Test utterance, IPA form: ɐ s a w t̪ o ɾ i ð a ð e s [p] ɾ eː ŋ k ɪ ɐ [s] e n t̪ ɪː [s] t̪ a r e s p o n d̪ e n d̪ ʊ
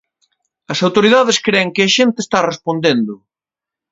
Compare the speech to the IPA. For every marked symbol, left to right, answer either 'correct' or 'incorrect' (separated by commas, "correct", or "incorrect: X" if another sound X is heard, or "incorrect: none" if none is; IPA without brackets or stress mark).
incorrect: k, incorrect: ʃ, correct